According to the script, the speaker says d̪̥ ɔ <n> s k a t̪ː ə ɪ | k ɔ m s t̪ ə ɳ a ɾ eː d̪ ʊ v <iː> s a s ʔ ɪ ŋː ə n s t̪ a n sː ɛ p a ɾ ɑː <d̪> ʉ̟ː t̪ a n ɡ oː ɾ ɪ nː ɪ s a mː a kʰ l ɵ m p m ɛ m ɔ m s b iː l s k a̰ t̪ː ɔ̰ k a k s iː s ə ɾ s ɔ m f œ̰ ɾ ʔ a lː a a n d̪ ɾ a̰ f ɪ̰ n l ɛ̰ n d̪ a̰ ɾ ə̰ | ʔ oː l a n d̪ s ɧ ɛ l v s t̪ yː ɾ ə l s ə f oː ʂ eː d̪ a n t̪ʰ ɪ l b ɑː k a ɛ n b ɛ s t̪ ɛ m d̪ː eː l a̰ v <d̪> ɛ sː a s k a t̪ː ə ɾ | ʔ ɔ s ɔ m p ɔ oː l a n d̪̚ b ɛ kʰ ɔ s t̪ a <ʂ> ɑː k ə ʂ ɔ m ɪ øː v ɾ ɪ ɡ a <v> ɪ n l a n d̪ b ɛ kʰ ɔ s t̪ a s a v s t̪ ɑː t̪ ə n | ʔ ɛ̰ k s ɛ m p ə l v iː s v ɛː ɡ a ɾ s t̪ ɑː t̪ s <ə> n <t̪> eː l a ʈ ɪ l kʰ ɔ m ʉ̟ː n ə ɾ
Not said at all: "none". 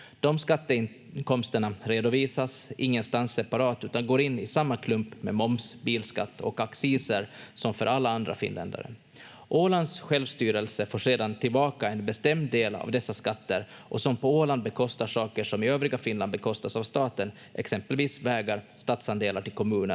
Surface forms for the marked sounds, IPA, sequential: m, iː, t̪, d̪, ʂ, f, a, d̪

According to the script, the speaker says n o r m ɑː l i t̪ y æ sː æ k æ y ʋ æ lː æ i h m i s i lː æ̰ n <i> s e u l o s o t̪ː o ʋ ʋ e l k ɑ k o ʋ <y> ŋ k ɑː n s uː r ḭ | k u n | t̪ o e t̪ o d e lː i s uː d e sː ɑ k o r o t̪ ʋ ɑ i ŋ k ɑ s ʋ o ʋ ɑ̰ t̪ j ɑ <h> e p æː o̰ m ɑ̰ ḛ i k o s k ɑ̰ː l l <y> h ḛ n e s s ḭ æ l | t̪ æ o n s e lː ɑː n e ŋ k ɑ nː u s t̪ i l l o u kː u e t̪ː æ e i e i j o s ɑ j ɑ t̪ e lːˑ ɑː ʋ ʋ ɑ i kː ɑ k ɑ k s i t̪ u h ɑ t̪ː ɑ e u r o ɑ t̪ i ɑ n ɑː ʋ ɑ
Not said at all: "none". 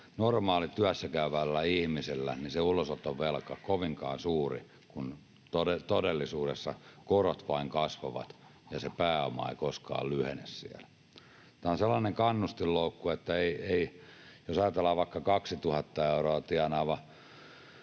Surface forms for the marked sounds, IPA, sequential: i, i, s, y

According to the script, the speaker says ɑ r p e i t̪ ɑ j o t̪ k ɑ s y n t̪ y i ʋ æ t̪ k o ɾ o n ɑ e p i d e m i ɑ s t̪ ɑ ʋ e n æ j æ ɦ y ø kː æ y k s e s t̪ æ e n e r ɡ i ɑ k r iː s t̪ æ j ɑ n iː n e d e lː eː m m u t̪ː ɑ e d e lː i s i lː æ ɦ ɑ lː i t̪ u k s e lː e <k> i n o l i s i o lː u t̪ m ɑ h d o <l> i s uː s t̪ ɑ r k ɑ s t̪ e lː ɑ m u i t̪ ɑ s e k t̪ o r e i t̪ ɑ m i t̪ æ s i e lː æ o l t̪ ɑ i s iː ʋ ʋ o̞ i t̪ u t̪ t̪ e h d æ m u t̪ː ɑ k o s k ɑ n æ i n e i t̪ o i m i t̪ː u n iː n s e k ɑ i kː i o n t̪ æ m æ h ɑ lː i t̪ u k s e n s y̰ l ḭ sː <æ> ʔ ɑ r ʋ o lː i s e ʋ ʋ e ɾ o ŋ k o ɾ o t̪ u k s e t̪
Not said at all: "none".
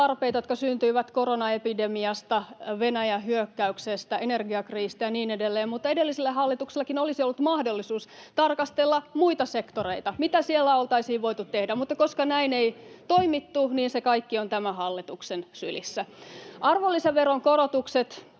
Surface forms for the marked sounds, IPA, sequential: k, lː, æ

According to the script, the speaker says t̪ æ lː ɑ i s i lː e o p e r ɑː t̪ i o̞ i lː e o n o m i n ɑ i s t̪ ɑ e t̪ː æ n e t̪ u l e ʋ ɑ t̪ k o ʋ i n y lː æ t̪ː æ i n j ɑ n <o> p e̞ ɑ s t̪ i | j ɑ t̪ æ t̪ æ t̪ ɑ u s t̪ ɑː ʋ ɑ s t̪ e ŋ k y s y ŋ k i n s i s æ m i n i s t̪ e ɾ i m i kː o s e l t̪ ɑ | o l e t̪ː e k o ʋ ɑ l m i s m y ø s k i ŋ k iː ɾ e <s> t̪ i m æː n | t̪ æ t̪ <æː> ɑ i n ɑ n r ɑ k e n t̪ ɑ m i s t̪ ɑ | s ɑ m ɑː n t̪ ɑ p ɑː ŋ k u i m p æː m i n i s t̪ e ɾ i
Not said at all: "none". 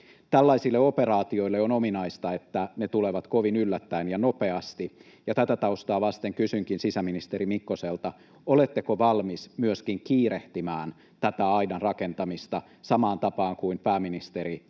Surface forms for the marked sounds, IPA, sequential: o, h, æ

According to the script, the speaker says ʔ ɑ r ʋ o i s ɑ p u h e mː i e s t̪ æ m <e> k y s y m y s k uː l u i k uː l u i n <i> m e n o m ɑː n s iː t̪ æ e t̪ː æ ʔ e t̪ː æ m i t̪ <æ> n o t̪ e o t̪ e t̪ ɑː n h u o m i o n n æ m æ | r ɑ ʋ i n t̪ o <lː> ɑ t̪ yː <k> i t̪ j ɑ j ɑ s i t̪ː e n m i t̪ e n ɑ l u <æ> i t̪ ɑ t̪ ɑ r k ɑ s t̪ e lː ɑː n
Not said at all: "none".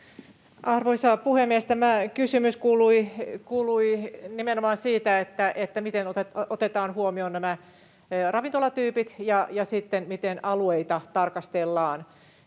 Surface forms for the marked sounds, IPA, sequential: æ, i, e, l, p, e

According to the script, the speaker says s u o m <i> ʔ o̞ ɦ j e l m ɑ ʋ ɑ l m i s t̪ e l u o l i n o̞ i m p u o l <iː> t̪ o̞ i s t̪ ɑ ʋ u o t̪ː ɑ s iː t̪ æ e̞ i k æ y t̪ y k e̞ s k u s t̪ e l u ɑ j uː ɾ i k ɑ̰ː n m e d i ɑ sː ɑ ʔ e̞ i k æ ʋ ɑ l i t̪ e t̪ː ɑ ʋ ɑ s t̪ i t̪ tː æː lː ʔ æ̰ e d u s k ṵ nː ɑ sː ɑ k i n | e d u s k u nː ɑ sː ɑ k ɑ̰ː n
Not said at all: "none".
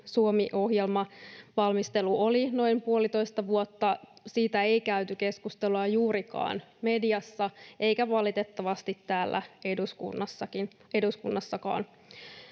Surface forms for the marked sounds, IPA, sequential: i, i

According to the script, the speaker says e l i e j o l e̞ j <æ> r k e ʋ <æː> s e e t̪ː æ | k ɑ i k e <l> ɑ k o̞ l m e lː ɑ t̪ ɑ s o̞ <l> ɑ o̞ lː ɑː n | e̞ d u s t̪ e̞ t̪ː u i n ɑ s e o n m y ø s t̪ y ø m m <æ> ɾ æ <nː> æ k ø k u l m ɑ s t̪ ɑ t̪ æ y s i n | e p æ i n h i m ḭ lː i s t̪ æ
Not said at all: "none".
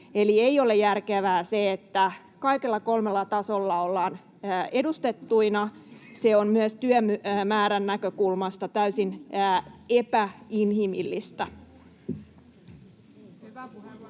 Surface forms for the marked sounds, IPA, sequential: æ, æː, lː, lː, æː, nː

